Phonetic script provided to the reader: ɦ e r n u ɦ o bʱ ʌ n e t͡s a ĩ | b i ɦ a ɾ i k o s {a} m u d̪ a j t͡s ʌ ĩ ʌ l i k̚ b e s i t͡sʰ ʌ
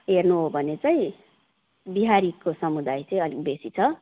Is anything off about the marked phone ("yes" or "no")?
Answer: yes